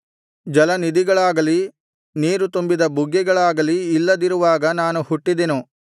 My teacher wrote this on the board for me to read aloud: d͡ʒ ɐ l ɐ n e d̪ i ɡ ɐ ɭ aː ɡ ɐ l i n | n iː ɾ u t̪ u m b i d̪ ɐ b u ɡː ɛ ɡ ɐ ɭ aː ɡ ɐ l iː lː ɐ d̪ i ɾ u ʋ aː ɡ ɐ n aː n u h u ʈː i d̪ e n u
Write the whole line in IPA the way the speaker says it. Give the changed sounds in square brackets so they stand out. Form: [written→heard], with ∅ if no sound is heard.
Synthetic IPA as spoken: d͡ʒ ɐ l ɐ n [e→i] d̪ i ɡ ɐ ɭ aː ɡ ɐ l i [n→∅] | n iː ɾ u t̪ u m b i d̪ ɐ b u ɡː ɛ ɡ ɐ ɭ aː ɡ ɐ l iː lː ɐ d̪ i ɾ u ʋ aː ɡ ɐ n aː n u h u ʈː i d̪ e n u